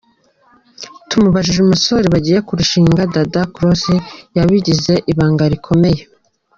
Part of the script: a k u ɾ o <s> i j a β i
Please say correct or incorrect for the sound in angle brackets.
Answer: correct